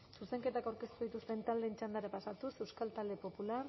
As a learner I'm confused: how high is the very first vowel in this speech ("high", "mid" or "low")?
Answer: high